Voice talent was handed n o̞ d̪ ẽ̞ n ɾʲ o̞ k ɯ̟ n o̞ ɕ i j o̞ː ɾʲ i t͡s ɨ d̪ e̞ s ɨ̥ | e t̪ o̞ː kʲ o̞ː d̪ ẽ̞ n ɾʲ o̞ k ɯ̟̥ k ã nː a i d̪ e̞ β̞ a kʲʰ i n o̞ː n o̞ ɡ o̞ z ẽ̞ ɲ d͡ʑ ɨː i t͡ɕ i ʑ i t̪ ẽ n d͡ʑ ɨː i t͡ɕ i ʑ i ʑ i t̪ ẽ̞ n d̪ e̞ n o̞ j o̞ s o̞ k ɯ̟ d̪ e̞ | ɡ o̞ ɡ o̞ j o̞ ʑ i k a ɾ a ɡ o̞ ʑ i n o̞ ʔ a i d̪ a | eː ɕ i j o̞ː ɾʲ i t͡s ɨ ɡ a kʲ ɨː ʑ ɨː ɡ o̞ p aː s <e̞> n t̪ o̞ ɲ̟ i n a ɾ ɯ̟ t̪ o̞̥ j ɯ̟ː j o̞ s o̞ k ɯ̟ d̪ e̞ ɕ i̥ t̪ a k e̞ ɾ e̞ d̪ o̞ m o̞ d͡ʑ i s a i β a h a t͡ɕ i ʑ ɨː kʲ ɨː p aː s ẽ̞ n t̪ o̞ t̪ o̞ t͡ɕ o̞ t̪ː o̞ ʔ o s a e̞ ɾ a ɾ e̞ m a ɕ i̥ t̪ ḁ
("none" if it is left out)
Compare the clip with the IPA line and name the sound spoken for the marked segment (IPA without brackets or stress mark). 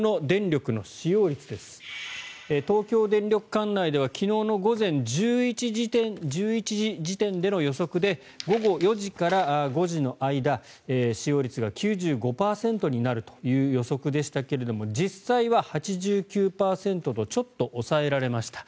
ẽ̞